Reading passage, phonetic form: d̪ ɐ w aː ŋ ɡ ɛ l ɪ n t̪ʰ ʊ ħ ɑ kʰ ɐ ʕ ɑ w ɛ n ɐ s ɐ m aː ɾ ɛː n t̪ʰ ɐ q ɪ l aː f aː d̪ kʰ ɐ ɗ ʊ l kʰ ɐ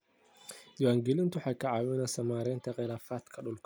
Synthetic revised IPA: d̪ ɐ w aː ŋ ɡ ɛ l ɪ n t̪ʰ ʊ ħ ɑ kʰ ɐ ʕ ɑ w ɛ n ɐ s ɐ m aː ɾ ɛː n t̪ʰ ɐ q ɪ l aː f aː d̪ kʰ ɐ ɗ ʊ l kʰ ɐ